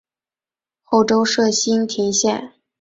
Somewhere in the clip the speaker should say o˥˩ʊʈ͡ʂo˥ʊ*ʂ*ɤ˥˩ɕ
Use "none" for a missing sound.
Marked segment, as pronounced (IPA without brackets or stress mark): ʂ